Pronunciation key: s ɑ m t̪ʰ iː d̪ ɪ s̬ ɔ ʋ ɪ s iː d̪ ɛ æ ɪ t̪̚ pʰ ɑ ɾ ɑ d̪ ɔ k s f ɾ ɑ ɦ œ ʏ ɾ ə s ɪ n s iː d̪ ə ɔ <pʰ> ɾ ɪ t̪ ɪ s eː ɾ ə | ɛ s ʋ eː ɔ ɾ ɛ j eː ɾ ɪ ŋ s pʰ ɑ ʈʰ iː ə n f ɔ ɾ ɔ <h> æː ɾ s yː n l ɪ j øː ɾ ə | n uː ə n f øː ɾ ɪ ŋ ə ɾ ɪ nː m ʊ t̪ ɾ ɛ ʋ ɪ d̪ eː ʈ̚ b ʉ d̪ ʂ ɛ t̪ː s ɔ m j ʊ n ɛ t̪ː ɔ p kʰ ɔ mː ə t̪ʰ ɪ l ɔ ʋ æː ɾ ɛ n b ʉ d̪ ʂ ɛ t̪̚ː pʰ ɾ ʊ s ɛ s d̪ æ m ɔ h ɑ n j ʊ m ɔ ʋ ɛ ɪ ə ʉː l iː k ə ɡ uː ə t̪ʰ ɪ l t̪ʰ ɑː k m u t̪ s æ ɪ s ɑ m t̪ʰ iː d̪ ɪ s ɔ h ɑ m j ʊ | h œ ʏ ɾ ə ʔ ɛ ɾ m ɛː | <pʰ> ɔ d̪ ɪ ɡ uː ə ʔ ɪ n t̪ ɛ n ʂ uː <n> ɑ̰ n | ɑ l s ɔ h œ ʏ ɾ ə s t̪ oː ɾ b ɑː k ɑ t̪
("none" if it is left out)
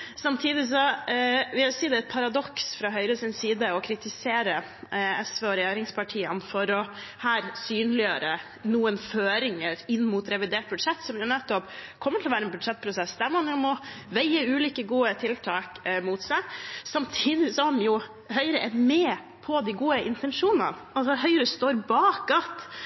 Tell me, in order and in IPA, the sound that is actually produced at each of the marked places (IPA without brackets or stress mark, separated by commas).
kʰ, h, pʰ, n